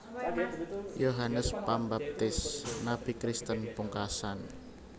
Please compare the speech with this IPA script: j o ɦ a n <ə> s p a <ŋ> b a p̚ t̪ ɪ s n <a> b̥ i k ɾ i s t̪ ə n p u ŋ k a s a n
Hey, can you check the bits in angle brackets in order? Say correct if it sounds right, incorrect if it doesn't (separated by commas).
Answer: correct, incorrect, correct